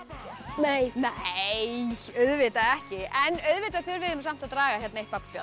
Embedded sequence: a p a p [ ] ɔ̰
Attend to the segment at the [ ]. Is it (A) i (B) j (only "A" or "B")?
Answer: B